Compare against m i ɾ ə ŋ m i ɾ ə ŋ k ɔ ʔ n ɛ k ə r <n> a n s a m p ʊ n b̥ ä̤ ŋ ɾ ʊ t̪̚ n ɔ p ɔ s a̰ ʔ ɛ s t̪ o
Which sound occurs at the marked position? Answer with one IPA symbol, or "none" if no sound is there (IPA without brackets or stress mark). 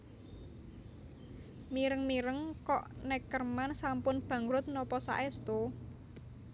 m